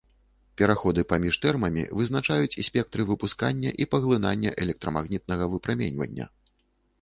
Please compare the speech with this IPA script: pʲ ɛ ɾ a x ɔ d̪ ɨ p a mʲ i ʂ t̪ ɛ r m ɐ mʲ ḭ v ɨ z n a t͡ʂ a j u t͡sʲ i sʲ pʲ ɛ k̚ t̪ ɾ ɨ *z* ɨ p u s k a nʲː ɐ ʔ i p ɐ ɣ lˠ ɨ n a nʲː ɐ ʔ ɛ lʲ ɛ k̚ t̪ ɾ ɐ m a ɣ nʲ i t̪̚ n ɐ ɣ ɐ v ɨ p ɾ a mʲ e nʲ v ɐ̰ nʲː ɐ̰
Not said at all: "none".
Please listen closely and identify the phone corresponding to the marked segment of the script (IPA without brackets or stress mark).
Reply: v